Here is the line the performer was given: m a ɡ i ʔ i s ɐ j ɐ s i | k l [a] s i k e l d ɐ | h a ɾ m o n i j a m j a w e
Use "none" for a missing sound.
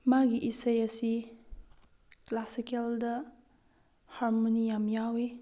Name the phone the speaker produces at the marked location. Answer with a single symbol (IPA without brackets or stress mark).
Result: a